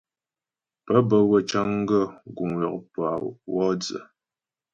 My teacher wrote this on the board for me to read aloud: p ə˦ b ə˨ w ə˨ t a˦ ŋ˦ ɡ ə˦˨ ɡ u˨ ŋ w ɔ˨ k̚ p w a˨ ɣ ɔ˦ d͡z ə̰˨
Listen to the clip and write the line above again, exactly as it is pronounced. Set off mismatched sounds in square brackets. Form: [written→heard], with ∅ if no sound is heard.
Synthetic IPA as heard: p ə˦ b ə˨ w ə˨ [t→t͡ʃ] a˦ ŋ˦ ɡ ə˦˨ ɡ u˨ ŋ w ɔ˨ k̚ p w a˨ [ɣ→w] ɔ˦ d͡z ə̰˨